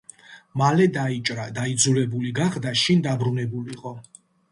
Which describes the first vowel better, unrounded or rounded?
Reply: unrounded